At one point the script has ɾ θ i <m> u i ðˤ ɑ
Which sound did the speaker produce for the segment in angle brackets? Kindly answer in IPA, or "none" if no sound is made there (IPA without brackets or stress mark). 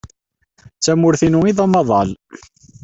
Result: n